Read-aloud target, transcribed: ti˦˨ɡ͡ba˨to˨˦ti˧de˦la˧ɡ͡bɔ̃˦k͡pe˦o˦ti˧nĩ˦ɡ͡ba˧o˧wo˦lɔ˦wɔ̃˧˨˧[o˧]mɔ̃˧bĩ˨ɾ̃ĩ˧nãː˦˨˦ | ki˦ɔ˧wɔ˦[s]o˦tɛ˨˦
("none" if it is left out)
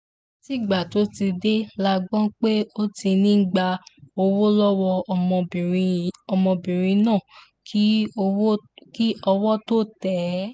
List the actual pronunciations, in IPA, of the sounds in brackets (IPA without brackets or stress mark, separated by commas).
ɔ˧, t